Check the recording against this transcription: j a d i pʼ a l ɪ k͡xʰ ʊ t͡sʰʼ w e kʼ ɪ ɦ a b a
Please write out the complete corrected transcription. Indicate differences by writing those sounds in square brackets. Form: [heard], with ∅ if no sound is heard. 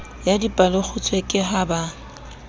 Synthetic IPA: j a d i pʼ a l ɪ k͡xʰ ʊ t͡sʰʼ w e kʼ ɪ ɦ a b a